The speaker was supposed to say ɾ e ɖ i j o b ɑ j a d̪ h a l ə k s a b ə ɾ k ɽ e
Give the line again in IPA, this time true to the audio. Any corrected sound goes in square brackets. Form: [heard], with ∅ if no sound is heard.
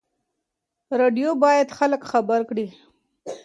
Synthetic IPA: ɾ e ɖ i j o b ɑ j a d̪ [x] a l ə k [x] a b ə ɾ k ɽ [i]